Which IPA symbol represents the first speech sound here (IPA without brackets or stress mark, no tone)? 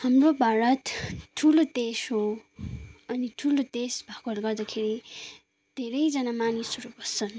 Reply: h